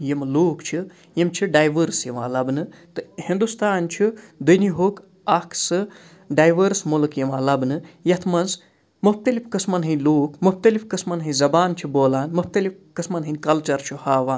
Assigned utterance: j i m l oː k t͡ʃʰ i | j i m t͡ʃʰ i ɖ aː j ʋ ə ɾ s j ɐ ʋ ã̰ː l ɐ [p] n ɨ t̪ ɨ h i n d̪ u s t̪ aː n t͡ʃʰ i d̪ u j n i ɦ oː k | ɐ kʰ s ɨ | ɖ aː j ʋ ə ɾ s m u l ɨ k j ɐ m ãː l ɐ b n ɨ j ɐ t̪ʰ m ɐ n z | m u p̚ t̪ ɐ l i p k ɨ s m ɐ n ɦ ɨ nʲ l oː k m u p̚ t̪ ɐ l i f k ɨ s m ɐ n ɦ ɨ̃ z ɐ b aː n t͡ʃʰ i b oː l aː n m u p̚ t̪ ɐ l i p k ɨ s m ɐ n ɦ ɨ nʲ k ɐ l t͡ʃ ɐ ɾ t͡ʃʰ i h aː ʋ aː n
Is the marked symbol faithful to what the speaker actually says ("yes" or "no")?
no